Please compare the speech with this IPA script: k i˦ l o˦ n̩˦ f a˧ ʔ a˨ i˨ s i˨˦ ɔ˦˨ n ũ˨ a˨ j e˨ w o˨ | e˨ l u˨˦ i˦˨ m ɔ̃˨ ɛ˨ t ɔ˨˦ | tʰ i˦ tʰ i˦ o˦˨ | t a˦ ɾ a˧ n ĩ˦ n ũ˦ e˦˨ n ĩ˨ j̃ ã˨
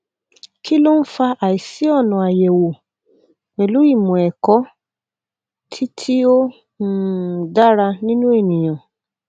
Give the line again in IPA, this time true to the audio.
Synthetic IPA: k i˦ l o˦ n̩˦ f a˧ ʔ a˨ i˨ s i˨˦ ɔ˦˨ n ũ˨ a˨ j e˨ w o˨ | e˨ l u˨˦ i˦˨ m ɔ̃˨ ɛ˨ k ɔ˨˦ | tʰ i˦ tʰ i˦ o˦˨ | d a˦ ɾ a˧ n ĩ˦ n ũ˦ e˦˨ n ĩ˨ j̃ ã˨